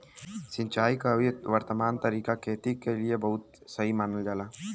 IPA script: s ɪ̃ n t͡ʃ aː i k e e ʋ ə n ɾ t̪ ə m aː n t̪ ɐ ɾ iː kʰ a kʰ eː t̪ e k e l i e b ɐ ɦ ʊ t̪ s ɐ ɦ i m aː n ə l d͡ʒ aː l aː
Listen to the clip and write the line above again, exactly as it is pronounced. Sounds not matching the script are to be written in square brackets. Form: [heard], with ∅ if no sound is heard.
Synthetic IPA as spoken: s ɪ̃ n t͡ʃ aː i k [a] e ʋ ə [∅] ɾ t̪ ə m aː n t̪ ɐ ɾ iː [k] a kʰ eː t̪ [i] k e l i e b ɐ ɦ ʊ t̪ s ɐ ɦ i m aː n ə l d͡ʒ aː l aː

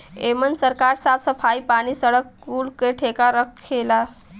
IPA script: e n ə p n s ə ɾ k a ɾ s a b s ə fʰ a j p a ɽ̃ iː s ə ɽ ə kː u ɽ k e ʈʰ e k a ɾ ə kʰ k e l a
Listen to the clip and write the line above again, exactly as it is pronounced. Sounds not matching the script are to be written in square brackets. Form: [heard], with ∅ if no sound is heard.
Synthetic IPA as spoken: e [m] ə [∅] n s ə ɾ k a ɾ s a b s ə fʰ a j p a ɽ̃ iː s ə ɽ ə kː u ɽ k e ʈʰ e k a ɾ ə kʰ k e l a

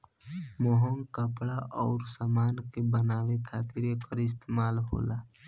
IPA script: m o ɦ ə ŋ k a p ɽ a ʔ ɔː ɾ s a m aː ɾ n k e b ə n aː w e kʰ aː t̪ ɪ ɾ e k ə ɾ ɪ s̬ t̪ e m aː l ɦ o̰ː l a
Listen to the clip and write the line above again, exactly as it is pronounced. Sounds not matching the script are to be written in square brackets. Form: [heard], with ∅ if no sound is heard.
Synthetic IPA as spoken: m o ɦ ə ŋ k [ə] p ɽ a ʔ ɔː ɾ s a m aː [∅] n k e b ə n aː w e kʰ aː t̪ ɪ ɾ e k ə ɾ ɪ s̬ t̪ e m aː l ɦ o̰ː l a

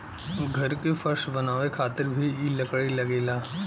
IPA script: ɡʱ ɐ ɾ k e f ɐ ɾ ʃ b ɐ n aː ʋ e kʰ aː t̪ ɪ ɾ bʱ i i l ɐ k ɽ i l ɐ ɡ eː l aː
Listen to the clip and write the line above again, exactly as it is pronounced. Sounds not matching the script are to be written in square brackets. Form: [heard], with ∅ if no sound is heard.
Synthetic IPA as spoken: ɡʱ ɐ ɾ k e f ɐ ɾ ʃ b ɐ n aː ʋ e kʰ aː t̪ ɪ ɾ bʱ i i l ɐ k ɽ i l ɐ ɡ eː l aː

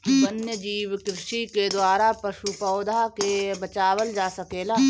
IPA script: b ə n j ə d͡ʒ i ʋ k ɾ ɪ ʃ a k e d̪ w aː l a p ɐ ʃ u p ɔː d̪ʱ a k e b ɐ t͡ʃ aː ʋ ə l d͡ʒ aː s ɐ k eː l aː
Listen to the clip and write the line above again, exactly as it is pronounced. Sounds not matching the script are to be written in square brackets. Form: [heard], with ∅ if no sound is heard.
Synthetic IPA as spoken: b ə n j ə d͡ʒ [iː] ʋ k ɾ ɪ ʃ [i] k e d̪ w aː [ɾ] a p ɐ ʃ u p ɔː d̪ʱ a k e b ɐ t͡ʃ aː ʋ ə l d͡ʒ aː s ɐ k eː l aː

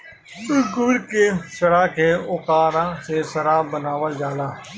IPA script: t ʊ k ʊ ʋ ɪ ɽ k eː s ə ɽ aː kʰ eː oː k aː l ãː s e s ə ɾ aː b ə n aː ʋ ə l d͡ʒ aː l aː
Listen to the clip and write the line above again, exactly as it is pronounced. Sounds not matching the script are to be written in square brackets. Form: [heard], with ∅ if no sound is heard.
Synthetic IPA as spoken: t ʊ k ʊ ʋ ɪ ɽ k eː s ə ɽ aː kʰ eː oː k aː [ɾ] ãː s e s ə ɾ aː b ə n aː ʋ ə l d͡ʒ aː l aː

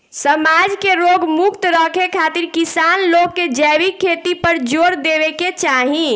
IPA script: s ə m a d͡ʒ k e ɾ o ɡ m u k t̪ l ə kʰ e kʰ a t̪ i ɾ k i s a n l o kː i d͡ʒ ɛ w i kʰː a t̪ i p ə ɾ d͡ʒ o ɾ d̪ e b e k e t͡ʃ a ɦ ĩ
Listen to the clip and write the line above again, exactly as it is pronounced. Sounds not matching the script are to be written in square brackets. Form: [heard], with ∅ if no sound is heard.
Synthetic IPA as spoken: s ə m a d͡ʒ k e ɾ o ɡ m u k t̪ [ɾ] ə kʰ e kʰ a t̪ i ɾ k i s a n l o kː [e] d͡ʒ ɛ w i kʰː [e] t̪ i p ə ɾ d͡ʒ o ɾ d̪ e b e k e t͡ʃ a ɦ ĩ

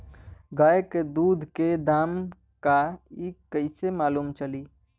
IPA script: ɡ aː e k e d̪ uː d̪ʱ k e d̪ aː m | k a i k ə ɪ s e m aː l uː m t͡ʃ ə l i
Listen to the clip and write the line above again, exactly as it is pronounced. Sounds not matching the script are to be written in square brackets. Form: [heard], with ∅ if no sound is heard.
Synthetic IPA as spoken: ɡ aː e k e d̪ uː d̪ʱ k e d̪ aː m | k a i k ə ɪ s e m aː l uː m t͡ʃ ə l i

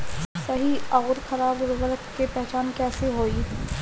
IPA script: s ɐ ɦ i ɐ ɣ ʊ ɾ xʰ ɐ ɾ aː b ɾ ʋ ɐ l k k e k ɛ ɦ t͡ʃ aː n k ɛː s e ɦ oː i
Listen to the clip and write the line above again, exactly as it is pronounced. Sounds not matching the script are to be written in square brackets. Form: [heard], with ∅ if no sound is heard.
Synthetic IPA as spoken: s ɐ ɦ i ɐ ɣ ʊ ɾ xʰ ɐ ɾ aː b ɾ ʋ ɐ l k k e [p] ɛ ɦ t͡ʃ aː n k ɛː s e ɦ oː i

